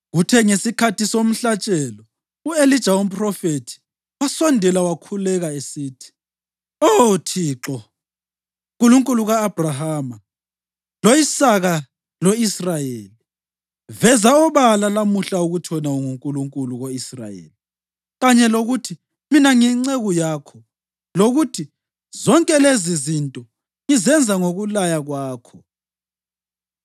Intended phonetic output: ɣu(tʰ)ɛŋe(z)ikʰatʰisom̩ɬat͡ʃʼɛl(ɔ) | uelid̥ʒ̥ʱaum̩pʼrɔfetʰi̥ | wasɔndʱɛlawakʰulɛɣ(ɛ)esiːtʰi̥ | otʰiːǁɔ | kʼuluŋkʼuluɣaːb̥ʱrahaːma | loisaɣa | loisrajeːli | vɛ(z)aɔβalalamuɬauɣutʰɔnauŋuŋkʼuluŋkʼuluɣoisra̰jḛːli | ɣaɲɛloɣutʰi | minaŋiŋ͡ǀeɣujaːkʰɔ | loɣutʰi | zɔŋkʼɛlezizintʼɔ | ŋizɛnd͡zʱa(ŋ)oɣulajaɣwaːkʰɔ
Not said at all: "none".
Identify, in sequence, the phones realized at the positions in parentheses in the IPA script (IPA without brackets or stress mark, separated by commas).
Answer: tʰ, s, ɔ, a, z, ŋ